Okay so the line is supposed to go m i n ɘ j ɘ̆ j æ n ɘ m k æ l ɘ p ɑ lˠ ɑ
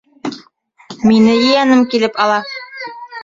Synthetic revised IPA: m i n ɘ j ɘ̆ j æ n ɘ m k i l ɘ p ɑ lˠ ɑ